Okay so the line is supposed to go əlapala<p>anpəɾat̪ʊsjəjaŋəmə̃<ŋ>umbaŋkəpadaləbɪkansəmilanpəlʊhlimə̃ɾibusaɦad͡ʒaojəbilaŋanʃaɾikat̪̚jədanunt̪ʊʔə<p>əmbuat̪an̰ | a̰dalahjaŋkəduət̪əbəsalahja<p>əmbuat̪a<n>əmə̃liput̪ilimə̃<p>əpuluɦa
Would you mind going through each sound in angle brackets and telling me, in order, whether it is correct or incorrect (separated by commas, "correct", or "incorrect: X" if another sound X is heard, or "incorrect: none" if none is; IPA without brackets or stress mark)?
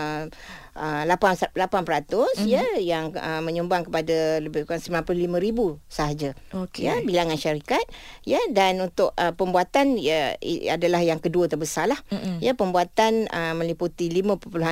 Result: correct, incorrect: ɲ, correct, correct, correct, correct